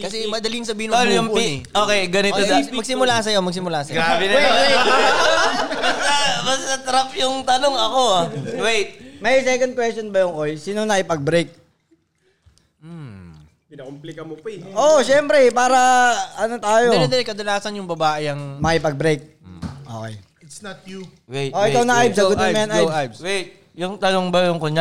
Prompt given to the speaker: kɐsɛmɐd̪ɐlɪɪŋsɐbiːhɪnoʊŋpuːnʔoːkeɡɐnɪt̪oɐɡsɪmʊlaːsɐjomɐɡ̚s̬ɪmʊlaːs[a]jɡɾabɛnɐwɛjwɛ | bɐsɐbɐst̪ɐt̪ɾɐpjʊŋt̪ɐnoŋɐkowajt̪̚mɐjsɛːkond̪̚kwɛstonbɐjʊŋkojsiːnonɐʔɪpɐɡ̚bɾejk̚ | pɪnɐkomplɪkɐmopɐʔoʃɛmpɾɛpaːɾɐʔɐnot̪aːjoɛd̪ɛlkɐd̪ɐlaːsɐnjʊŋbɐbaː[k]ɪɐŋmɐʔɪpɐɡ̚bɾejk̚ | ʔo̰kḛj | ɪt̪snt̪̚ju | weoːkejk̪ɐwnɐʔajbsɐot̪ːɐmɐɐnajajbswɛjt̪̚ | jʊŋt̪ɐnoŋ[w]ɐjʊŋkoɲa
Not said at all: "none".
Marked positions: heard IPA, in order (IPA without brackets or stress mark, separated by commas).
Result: ɐ, ʔ, b